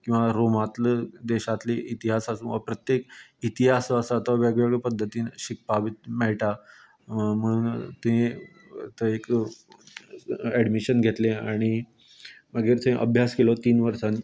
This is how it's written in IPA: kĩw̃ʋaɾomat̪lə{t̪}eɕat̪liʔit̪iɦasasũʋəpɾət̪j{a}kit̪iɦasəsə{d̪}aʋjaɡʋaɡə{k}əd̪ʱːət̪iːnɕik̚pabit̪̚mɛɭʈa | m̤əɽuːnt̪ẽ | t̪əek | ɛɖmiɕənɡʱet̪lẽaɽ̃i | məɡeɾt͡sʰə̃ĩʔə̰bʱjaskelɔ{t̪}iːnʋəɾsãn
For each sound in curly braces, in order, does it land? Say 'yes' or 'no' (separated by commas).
no, no, no, no, yes